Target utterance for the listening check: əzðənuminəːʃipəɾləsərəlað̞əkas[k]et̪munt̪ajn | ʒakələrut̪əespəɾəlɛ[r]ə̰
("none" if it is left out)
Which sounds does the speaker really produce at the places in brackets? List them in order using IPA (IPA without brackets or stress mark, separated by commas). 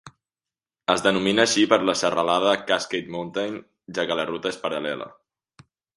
k, l